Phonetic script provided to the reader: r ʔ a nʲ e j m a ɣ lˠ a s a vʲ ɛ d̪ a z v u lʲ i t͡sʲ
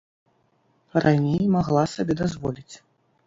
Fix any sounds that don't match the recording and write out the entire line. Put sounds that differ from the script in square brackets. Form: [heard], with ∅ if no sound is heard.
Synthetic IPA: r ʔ a nʲ e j m a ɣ lˠ a s a [bʲ] ɛ d̪ a z v [ɔ] lʲ i t͡sʲ